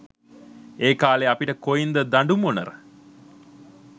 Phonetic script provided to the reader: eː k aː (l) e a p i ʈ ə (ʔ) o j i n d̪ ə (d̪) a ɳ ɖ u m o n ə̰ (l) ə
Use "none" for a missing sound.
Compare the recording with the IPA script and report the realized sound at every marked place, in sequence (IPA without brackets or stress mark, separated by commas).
l, k, d̪, ɾ